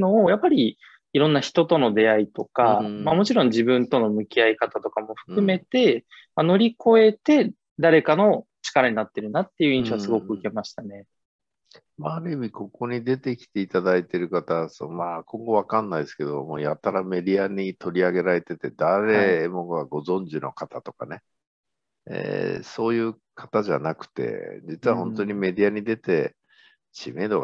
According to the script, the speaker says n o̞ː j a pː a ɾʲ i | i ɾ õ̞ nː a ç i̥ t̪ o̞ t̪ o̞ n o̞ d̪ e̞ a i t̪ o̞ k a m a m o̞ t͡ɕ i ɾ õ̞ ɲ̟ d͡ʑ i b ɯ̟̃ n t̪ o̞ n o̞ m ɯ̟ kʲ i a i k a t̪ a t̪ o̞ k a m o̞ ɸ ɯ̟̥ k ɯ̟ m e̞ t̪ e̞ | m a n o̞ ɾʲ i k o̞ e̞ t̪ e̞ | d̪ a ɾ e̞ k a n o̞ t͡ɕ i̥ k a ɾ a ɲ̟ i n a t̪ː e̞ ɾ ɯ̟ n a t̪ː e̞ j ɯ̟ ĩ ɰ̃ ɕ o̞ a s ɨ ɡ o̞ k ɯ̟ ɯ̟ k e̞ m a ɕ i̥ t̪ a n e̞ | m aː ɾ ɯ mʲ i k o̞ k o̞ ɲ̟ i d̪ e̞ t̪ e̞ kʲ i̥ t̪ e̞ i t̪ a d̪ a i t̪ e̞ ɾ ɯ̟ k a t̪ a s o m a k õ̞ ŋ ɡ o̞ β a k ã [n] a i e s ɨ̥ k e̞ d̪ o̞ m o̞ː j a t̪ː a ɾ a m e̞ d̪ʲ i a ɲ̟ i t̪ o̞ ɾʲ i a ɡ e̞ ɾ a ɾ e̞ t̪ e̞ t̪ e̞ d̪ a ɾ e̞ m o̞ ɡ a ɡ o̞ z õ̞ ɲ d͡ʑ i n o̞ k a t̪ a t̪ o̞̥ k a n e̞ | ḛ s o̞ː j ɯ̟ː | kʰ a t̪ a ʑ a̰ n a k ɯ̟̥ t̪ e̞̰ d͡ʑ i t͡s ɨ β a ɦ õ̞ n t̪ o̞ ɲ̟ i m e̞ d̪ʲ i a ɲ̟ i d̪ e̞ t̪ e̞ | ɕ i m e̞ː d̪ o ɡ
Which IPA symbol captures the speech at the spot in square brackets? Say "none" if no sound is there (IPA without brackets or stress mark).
nː